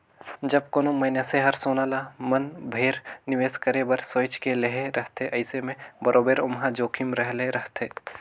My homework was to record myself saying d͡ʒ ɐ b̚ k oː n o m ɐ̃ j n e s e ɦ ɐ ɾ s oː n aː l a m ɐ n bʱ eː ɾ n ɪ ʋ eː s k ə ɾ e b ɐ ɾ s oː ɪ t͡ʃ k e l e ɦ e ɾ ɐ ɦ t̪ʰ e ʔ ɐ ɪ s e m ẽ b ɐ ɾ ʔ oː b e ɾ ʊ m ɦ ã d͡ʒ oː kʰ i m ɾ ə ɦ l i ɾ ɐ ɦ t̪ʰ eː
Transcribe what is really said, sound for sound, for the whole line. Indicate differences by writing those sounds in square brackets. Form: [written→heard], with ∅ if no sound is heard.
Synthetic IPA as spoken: d͡ʒ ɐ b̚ k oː n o m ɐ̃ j n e s e ɦ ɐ ɾ s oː n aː l a m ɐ n bʱ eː ɾ n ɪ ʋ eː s k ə ɾ e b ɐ ɾ s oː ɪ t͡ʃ k e l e ɦ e ɾ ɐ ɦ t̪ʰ e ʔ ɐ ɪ s e m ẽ b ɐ ɾ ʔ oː b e ɾ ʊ m ɦ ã d͡ʒ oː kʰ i m ɾ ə ɦ l [i→e] ɾ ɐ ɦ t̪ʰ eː